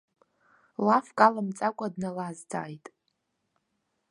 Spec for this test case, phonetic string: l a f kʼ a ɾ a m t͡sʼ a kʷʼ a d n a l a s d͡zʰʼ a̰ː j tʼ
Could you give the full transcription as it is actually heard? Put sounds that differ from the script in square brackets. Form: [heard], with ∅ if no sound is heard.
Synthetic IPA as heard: l a f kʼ a [l] a m t͡sʼ a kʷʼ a d n a l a [z] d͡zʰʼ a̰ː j tʼ